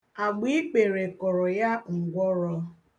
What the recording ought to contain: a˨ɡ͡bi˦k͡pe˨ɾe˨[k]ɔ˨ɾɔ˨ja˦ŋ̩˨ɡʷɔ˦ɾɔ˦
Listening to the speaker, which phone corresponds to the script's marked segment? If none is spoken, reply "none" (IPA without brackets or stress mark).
k